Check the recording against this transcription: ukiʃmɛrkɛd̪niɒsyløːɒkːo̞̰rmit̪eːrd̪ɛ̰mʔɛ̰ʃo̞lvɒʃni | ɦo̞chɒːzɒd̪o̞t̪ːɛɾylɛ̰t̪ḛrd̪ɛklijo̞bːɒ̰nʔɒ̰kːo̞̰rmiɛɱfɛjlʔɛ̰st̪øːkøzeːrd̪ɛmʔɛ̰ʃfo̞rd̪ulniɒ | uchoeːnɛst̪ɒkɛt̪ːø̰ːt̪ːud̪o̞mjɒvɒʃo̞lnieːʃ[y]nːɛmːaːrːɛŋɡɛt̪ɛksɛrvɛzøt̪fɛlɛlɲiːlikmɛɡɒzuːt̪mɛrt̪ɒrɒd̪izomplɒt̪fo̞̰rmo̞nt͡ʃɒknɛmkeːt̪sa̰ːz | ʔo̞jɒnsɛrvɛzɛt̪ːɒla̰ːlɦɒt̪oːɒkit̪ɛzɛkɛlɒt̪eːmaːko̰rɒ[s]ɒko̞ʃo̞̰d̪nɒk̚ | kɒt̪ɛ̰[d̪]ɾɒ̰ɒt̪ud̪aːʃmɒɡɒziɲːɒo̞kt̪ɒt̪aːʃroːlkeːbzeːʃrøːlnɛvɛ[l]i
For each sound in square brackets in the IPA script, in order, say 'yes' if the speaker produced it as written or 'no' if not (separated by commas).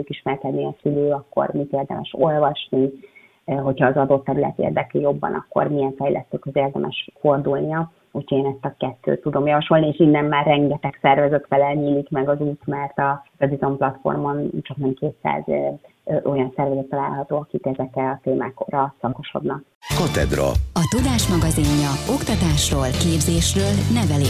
no, yes, yes, yes